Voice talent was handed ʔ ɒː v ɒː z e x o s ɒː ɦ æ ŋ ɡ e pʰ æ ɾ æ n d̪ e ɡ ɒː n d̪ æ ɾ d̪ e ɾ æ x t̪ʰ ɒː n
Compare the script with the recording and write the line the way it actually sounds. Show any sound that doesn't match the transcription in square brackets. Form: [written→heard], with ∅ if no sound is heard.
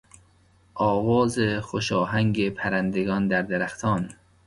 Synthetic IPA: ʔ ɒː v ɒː z e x o [s→ʃ] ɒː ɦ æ ŋ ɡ e pʰ æ ɾ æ n d̪ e ɡ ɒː n d̪ æ ɾ d̪ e ɾ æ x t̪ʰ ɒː n